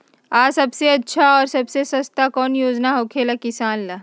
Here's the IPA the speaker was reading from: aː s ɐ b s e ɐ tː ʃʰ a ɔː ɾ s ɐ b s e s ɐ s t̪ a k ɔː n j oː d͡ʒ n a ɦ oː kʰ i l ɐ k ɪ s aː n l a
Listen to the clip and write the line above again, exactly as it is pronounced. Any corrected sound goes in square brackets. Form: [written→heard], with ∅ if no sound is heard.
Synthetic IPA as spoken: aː s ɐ b s e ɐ tː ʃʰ a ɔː ɾ s ɐ b s e s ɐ s t̪ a k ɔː n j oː d͡ʒ n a ɦ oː kʰ [i→e] l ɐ k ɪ s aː n l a